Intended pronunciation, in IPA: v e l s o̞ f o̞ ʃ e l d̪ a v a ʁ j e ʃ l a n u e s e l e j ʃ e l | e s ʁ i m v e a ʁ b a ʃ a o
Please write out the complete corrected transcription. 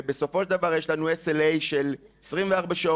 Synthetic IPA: b e s o̞ f o̞ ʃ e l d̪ a v a ʁ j e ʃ l a n u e s e l e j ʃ e l | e s ʁ i m v e a ʁ b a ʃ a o